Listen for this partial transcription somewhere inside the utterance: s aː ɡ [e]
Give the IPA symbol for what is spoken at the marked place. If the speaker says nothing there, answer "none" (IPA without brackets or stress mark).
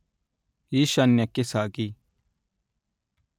i